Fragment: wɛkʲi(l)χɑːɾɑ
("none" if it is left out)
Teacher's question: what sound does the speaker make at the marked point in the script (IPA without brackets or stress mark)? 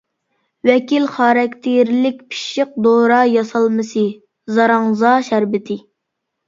l